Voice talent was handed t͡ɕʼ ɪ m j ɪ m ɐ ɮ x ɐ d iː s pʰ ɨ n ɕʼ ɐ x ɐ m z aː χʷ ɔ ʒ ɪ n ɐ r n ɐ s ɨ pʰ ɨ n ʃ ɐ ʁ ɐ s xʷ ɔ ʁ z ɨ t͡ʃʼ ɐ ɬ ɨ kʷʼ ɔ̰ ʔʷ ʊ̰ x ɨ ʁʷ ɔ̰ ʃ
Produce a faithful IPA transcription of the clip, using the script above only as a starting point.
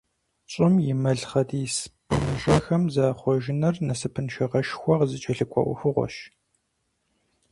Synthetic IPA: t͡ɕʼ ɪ m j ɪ m ɐ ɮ χ ɐ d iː s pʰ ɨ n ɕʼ ɐ x ɐ m z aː χʷ ɔ ʒ ɪ n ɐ r n ɐ s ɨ pʰ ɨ n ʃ ɐ ʁ ɐ ʃ xʷ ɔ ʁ z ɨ t͡ʃʼ ɐ ɬ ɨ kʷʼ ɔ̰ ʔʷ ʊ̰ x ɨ ʁʷ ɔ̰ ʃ